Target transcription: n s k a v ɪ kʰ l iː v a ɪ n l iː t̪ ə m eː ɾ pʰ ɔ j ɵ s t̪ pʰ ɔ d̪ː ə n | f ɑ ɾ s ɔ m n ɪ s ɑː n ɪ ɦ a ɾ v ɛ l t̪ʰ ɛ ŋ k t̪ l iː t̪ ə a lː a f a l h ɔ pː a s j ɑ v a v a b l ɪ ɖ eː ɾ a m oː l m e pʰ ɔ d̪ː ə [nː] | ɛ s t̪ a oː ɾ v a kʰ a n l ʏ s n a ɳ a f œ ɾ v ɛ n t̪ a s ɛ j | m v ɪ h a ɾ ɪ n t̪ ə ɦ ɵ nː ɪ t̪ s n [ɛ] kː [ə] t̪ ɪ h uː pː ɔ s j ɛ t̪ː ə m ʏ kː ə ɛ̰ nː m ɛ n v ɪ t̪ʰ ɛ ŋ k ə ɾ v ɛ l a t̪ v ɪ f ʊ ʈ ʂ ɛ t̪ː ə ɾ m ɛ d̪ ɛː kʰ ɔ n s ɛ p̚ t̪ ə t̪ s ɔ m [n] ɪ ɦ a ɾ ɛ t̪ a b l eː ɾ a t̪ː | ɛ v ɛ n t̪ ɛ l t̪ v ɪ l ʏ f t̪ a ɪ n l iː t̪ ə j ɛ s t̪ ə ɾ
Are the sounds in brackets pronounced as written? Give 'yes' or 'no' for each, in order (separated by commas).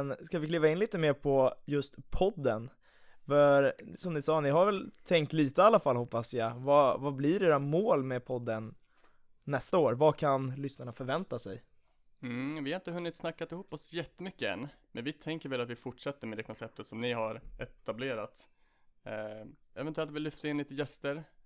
yes, no, no, yes